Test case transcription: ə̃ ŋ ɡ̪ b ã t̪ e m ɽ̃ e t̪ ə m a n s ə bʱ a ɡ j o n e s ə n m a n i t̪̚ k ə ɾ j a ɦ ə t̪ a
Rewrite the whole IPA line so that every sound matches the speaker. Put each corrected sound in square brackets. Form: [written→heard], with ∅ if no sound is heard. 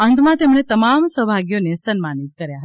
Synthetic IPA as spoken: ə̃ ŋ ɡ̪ [b→m] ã t̪ e m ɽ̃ e t̪ ə m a [n→m] s ə bʱ a ɡ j o n e s ə n m a n i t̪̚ k ə ɾ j a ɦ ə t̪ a